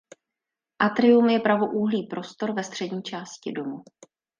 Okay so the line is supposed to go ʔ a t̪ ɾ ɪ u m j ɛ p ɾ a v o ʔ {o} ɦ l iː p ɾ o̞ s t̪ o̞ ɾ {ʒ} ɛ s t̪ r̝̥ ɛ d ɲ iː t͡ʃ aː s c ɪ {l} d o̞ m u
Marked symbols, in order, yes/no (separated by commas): no, no, no